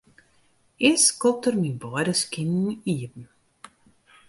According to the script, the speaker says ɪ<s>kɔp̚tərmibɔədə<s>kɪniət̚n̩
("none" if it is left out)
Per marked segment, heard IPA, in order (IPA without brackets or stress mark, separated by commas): s, s